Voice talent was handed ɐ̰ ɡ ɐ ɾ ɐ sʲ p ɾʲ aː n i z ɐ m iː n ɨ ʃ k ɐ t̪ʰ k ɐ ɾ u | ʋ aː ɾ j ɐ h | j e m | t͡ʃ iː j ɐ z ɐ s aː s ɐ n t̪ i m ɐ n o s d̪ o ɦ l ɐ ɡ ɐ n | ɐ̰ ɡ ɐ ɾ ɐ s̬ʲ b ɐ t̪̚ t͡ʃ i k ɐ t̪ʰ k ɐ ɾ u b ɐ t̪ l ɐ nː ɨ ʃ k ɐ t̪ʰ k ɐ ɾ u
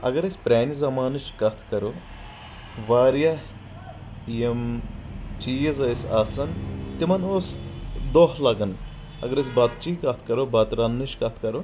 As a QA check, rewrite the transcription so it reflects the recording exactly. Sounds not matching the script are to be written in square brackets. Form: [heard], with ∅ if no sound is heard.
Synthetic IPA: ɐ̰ ɡ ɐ ɾ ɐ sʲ p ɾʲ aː n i z ɐ m [aː] n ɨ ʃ k ɐ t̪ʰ k ɐ ɾ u | ʋ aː ɾ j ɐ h | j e m | t͡ʃ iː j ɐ z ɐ s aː s ɐ n t̪ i m ɐ n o s d̪ o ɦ l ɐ ɡ ɐ n | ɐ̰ ɡ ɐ ɾ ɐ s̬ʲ b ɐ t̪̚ t͡ʃ i k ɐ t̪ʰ k ɐ ɾ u b ɐ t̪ [ɾ] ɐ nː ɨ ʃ k ɐ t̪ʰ k ɐ ɾ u